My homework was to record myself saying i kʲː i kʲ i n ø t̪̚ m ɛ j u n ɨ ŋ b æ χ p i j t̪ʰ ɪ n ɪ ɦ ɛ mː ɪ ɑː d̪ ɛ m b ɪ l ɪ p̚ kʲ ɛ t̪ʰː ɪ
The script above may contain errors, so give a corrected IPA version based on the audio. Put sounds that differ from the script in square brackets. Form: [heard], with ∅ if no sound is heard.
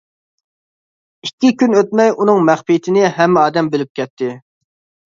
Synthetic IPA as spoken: i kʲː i kʲ [y] n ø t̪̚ m ɛ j u n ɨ ŋ [m] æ χ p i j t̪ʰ ɪ n ɪ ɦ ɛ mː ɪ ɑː d̪ ɛ m b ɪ l ɪ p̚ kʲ ɛ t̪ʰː ɪ

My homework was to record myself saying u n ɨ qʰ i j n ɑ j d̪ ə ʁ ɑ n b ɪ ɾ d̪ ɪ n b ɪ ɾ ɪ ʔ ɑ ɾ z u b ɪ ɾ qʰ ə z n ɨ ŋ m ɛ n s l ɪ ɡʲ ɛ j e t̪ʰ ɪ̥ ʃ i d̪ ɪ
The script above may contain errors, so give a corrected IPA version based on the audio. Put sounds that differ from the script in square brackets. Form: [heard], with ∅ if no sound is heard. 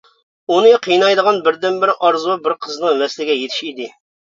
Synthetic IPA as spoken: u n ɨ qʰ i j n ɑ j d̪ ə ʁ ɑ n b ɪ ɾ d̪ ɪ n b ɪ ɾ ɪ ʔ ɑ ɾ z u b ɪ ɾ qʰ ə z n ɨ ŋ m ɛ [∅] s l ɪ ɡʲ ɛ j e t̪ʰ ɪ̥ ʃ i d̪ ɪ

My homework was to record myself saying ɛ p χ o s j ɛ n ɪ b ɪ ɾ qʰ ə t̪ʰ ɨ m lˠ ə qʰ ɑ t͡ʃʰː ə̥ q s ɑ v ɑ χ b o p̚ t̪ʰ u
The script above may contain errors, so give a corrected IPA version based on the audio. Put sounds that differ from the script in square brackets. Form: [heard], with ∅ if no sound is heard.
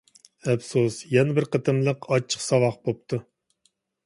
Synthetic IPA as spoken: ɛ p [s] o s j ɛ n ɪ b ɪ ɾ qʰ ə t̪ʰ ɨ m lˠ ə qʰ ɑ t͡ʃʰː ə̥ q s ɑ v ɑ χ b o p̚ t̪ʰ u

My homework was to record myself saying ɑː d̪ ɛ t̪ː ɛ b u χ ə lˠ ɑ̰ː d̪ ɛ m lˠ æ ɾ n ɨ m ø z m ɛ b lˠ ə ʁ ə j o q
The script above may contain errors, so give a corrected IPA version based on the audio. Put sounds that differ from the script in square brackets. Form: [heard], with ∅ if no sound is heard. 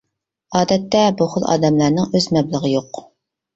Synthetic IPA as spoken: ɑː d̪ ɛ t̪ː ɛ b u χ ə lˠ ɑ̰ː d̪ ɛ m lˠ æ ɾ n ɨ [ŋ] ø z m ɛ b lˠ ə ʁ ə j o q

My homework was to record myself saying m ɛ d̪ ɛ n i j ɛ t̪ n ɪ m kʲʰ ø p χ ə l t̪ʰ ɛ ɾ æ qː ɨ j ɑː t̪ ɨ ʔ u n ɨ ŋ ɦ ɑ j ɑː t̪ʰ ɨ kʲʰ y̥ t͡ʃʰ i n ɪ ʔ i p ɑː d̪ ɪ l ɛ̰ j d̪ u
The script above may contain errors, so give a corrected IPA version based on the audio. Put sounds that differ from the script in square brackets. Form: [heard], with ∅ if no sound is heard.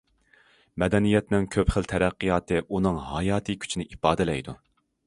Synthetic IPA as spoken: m ɛ d̪ ɛ n i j ɛ t̪ n ɪ [ŋ] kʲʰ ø p χ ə l t̪ʰ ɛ ɾ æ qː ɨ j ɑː t̪ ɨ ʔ u n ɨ ŋ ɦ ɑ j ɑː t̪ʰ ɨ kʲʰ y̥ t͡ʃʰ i n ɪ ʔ i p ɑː d̪ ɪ l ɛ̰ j d̪ u

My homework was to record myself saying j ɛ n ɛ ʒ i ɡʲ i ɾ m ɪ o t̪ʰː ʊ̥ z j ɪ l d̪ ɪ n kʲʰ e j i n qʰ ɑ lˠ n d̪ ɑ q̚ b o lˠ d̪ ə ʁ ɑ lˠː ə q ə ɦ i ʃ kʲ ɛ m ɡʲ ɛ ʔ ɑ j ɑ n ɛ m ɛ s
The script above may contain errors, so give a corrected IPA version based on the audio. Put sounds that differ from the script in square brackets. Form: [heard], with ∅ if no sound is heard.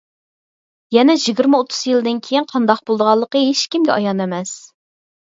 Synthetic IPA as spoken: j ɛ n ɛ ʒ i ɡʲ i ɾ m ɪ o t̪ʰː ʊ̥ z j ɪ l d̪ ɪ n kʲʰ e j i n qʰ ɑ [∅] n d̪ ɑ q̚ b o lˠ d̪ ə ʁ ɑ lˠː ə q ə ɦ [e] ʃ kʲ [i] m ɡʲ ɛ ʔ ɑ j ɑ n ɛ m ɛ s

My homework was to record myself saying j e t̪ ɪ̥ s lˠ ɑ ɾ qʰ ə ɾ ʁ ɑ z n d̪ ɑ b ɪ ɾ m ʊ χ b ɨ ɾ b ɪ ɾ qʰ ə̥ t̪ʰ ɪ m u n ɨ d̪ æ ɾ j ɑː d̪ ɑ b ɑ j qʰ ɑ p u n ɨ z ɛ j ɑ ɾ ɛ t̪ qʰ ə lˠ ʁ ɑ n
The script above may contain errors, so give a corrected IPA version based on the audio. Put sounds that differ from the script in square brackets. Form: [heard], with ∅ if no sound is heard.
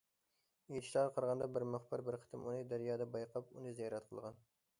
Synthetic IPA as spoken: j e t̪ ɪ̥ [ʃ] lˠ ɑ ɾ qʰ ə ɾ ʁ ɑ [∅] n d̪ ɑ b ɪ ɾ m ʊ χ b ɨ ɾ b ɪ ɾ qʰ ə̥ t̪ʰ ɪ m u n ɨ d̪ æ ɾ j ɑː d̪ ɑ b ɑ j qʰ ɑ p u n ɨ z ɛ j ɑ ɾ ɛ t̪ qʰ ə lˠ ʁ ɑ n

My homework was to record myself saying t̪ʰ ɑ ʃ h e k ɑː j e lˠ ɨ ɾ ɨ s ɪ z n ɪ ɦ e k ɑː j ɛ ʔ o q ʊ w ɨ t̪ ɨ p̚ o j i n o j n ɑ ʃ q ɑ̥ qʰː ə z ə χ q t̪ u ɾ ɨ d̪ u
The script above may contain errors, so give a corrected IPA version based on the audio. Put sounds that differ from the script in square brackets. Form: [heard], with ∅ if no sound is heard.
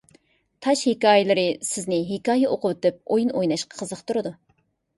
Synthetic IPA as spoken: t̪ʰ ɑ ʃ h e k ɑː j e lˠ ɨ ɾ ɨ s ɪ z n ɪ ɦ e k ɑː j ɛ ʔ o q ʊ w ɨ t̪ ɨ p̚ o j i n o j n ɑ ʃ q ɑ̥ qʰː ə z ə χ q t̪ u ɾ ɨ d̪ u

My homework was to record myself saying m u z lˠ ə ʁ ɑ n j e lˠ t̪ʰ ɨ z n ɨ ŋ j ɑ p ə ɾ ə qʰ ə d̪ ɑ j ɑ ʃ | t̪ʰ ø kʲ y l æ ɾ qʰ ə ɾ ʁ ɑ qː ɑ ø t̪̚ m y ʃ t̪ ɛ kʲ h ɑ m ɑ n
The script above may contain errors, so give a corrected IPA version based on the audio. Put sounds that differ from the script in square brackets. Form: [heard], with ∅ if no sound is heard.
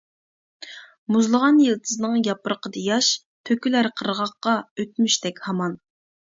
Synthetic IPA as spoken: m u z lˠ ə ʁ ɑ n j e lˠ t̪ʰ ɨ z n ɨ ŋ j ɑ p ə ɾ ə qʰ ə d̪ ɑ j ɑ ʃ | t̪ʰ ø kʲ y l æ ɾ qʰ ə ɾ ʁ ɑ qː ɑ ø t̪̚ m y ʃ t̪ ɛ kʲ h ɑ m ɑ n

